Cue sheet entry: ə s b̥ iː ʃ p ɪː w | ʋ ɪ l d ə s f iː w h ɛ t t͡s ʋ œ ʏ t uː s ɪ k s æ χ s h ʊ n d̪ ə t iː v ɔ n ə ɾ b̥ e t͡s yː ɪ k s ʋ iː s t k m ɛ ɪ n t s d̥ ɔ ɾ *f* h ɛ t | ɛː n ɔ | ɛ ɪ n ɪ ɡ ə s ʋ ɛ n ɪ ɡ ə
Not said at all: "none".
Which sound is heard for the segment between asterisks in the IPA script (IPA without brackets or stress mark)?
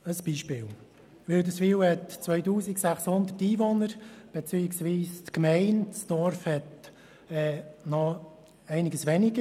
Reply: f